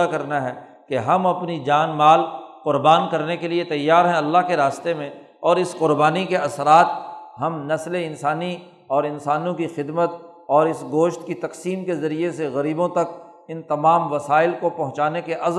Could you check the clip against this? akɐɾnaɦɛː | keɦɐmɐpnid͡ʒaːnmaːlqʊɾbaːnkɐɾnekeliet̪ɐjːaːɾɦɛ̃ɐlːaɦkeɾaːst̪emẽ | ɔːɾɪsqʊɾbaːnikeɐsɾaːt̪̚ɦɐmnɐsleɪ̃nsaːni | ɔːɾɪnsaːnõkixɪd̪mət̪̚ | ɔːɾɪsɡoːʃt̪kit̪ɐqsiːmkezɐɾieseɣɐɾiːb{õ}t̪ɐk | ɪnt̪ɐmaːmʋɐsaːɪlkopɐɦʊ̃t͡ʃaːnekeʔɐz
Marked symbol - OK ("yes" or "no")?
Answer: yes